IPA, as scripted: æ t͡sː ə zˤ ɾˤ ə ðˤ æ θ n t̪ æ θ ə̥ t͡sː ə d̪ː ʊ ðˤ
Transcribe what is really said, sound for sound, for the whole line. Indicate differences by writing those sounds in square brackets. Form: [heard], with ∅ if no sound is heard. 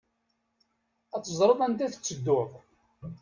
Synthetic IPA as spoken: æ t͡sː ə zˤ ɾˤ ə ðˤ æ [∅] n t̪ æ θ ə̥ t͡sː ə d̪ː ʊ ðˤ